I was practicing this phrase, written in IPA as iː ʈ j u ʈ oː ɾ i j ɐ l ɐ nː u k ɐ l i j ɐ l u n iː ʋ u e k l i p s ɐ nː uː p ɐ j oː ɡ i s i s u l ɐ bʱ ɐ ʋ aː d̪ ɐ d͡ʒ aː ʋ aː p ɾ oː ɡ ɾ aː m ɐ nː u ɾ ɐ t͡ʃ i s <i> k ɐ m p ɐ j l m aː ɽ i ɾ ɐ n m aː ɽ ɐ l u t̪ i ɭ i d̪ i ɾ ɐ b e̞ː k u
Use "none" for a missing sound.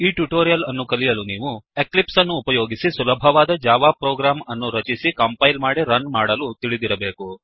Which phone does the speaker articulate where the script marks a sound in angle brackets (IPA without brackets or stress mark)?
i